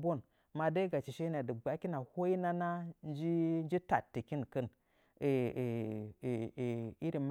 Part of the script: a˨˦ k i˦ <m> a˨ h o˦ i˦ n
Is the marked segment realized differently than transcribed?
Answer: yes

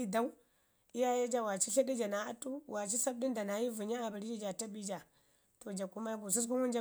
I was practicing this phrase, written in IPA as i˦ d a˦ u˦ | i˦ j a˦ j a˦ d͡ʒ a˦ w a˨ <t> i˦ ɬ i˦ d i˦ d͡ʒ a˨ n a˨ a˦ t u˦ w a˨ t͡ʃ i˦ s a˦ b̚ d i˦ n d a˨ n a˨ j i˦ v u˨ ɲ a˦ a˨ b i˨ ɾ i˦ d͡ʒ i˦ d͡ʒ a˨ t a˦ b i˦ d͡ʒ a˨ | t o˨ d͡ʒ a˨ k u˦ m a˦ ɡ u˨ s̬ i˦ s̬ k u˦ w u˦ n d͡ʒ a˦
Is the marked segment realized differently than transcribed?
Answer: yes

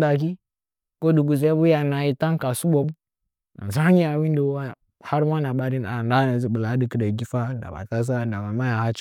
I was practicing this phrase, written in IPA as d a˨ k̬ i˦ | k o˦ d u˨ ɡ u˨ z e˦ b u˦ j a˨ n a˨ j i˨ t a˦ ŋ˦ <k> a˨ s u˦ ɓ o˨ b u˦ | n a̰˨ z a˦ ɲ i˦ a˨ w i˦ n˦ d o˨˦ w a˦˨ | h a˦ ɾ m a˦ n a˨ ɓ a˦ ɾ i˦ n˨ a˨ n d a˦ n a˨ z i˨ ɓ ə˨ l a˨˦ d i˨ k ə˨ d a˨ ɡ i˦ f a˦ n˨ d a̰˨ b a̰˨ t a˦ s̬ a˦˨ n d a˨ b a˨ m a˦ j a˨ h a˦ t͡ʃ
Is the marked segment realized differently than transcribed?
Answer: no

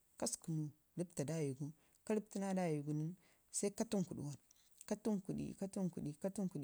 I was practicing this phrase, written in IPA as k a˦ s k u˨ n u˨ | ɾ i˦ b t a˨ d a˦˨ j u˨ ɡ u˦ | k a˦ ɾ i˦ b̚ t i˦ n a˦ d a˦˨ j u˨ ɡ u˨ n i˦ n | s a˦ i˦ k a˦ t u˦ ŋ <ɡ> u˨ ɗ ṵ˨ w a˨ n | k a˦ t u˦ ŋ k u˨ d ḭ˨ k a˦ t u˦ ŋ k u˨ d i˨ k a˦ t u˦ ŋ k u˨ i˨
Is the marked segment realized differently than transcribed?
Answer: yes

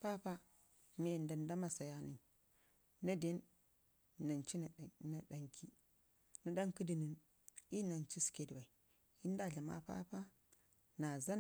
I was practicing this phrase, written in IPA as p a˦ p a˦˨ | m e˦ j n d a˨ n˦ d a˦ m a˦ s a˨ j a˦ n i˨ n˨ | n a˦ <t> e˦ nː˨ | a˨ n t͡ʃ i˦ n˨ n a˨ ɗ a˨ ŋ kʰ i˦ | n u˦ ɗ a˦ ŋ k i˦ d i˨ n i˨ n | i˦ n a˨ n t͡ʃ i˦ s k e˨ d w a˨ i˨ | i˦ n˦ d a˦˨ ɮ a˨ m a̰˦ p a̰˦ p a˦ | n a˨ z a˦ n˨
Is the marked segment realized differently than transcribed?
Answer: yes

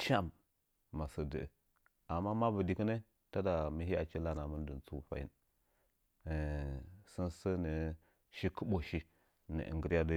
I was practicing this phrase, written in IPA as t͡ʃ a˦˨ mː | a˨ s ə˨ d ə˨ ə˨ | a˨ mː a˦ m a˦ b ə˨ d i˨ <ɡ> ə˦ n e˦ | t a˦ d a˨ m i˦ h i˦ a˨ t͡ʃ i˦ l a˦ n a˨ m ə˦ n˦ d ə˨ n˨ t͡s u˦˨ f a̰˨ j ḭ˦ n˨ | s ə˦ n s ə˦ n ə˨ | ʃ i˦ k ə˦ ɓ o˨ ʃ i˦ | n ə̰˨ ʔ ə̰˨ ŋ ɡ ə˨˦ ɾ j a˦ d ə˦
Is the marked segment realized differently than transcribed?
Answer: yes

